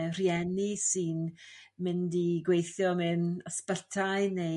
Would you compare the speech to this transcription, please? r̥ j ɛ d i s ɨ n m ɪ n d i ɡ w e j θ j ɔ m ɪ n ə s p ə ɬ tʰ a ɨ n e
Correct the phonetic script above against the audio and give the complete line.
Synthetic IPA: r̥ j ɛ n i s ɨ n m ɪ n d i ɡ w e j θ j ɔ m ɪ n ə s p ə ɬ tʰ a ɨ n e